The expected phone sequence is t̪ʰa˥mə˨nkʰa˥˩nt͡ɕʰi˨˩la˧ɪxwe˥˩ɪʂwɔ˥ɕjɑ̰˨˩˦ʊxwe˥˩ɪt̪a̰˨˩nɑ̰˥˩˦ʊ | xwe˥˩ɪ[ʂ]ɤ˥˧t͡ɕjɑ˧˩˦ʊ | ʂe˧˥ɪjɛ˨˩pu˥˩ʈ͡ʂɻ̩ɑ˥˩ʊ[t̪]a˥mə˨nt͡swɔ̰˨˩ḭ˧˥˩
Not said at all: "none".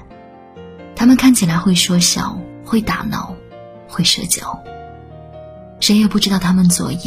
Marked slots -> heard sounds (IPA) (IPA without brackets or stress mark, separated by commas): ʂ, t̪ʰ